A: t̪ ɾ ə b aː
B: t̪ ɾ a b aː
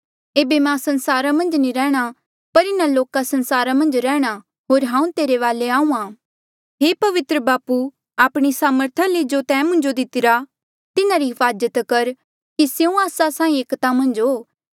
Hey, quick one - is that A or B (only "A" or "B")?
A